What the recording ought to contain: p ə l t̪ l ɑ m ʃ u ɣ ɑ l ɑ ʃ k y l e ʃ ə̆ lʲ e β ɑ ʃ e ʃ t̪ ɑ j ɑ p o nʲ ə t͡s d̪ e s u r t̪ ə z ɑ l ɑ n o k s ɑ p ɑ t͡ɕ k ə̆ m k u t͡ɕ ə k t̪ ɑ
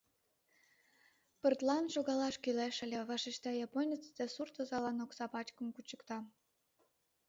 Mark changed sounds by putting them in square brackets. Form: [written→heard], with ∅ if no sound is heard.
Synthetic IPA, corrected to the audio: p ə [l→r] t̪ l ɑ [m→n] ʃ [u→o] ɣ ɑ l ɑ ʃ k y l e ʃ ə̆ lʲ e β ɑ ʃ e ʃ t̪ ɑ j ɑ p o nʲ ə t͡s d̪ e s u r t̪ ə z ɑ l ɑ n o k s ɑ p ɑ t͡ɕ k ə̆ m k u t͡ɕ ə k t̪ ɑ